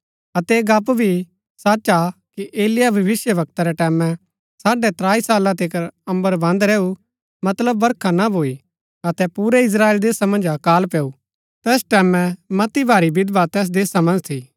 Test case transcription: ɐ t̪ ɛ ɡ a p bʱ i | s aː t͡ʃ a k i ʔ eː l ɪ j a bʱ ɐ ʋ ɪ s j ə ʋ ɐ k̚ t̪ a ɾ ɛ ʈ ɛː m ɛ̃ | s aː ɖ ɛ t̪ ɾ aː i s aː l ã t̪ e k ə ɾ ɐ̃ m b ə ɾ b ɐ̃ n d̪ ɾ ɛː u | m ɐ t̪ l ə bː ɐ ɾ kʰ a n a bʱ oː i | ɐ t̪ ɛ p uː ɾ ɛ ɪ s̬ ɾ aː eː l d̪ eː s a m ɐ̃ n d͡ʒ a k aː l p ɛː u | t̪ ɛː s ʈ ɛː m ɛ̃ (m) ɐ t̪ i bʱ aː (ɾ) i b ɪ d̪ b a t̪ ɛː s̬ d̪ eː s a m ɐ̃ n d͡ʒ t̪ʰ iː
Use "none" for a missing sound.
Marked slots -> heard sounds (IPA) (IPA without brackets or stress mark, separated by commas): m, ɾ